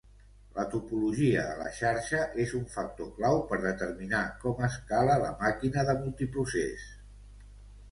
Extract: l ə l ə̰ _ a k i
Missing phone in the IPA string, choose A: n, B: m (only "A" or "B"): B